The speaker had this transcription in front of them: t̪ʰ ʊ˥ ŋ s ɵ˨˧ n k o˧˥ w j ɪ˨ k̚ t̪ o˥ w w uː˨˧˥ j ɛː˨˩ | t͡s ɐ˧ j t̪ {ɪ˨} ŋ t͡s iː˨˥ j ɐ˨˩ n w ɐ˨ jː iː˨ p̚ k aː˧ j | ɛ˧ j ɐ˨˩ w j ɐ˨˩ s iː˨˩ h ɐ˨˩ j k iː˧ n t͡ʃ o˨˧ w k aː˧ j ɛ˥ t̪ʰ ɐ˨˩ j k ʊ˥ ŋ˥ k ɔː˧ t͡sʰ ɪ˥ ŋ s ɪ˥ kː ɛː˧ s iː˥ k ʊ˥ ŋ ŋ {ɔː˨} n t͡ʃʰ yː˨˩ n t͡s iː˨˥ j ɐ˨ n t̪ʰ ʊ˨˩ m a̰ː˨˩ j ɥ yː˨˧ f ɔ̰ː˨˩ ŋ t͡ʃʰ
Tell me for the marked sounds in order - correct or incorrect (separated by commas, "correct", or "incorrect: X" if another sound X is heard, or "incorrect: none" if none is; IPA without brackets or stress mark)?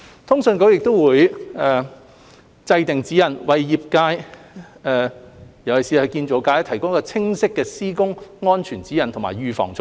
correct, incorrect: ɔː˥